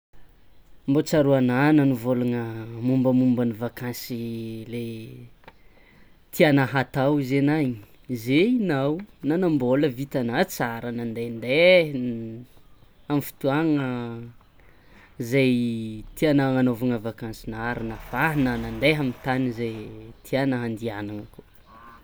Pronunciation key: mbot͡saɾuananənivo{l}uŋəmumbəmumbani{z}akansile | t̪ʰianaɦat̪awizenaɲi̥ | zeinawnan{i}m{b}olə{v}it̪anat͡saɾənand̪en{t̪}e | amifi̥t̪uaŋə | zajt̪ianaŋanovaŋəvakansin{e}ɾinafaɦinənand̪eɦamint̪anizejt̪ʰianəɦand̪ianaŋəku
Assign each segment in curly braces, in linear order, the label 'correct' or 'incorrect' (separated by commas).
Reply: correct, incorrect, incorrect, correct, correct, incorrect, incorrect